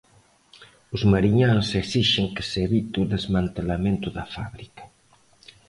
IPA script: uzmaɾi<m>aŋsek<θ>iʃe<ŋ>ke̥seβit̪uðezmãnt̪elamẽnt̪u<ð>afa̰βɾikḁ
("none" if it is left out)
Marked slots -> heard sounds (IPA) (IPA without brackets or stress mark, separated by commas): ɲ, s, ŋ, ð